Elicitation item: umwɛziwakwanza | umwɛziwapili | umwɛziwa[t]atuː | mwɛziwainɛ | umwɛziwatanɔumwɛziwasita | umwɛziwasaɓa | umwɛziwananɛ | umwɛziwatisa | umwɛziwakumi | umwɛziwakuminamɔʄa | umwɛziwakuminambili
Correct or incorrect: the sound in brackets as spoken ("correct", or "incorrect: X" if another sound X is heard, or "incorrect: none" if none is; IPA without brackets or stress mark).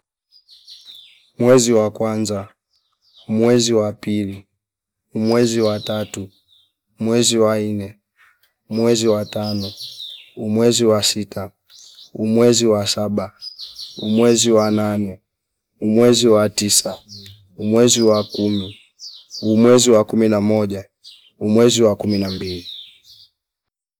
correct